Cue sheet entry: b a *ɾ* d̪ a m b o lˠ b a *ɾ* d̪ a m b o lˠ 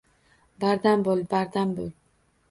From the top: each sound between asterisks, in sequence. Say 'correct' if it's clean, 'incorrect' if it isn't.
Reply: correct, correct

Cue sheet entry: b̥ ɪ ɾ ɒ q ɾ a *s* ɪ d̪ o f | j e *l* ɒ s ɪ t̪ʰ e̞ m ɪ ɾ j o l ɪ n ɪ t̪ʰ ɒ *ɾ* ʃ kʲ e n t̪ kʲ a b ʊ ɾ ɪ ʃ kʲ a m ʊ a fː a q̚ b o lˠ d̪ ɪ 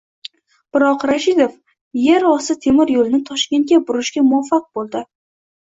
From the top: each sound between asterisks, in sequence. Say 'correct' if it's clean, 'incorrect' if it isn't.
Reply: incorrect: ʃ, incorrect: ɾ, incorrect: none

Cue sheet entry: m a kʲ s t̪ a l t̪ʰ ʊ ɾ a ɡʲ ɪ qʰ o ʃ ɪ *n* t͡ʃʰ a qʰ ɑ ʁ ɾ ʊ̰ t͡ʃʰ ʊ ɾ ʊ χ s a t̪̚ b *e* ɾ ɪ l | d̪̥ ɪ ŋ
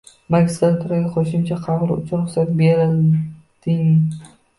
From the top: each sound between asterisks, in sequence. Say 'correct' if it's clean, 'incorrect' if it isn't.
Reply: incorrect: m, correct

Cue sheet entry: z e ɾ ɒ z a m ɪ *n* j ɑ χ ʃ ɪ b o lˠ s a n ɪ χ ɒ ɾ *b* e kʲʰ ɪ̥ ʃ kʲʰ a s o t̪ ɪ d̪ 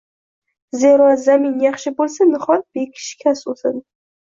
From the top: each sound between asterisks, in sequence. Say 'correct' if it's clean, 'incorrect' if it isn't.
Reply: correct, correct

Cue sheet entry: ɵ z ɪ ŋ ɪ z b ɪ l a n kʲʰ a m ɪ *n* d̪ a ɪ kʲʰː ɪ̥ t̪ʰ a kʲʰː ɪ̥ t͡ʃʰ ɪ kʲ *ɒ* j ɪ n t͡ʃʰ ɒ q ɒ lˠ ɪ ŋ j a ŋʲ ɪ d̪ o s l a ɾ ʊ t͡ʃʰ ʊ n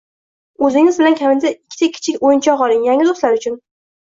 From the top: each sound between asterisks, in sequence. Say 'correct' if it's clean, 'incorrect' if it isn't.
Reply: correct, incorrect: o

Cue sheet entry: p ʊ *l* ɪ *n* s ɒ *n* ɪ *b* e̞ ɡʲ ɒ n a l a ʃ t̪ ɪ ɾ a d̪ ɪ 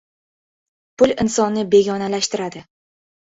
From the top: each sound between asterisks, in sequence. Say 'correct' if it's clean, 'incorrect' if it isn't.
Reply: correct, correct, incorrect: nː, correct

